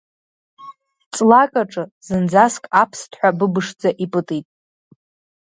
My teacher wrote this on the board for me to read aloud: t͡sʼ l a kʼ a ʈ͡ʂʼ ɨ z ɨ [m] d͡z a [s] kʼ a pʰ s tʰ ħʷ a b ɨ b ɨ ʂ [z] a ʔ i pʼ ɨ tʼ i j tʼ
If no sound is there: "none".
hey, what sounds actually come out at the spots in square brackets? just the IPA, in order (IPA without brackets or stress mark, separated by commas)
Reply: n, s, d͡z